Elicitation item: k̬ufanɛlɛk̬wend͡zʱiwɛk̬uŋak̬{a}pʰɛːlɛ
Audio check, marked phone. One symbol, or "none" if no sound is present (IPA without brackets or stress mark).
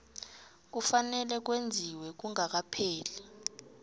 a